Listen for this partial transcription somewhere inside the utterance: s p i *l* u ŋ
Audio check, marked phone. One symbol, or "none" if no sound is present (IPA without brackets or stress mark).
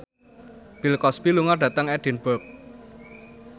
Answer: l